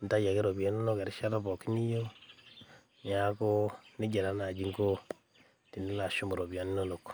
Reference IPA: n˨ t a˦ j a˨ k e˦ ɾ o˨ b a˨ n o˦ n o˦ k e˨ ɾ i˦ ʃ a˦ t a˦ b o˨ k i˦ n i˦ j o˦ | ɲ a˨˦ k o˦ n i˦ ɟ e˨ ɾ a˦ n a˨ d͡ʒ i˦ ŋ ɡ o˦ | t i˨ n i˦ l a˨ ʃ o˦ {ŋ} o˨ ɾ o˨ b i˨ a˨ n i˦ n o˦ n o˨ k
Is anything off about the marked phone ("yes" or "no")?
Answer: yes